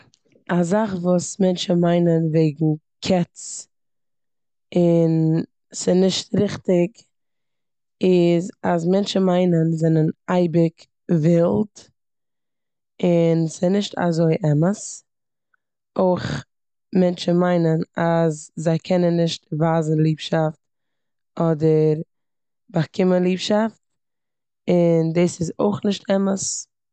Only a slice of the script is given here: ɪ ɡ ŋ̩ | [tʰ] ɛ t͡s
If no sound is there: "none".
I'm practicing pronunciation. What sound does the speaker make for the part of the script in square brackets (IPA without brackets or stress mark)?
kʰ